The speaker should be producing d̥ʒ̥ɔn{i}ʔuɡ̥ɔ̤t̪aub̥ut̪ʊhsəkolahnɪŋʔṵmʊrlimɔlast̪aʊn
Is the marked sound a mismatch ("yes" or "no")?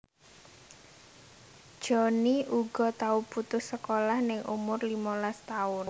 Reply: no